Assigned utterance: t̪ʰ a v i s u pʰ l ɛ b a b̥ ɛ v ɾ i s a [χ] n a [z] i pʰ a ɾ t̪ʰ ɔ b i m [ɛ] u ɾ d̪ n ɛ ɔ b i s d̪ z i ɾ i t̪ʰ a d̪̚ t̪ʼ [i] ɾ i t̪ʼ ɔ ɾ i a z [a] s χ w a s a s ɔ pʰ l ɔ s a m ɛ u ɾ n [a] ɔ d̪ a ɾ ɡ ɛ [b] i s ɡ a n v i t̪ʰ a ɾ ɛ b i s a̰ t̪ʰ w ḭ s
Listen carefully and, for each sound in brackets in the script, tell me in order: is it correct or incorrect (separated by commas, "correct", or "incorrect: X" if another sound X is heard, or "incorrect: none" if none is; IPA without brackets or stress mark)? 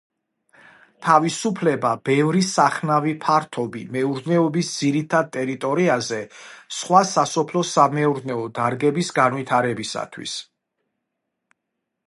correct, incorrect: v, correct, incorrect: ɛ, incorrect: ɛ, incorrect: ɛ, correct